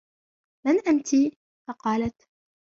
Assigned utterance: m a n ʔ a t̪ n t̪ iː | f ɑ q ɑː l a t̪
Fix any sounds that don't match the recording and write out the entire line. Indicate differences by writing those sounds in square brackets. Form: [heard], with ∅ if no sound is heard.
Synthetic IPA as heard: m a n ʔ a [∅] n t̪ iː | f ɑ q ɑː l a t̪